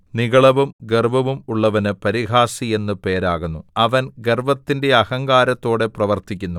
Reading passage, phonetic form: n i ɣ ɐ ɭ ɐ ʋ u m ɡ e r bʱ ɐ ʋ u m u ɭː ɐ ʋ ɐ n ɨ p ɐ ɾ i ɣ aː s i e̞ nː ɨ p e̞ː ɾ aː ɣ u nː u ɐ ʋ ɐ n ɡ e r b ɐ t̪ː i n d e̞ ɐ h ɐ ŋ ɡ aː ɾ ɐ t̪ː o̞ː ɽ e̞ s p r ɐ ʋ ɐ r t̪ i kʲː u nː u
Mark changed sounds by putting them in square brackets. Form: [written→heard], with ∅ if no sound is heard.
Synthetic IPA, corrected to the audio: n i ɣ ɐ ɭ ɐ ʋ u m ɡ e r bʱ ɐ ʋ u m u ɭː ɐ ʋ ɐ n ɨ p ɐ ɾ i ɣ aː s i e̞ nː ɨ p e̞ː ɾ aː ɣ u nː u ɐ ʋ ɐ n ɡ e r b ɐ t̪ː i n d e̞ ɐ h ɐ ŋ ɡ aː ɾ ɐ t̪ː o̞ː ɽ e̞ [s→∅] p r ɐ ʋ ɐ r t̪ i kʲː u nː u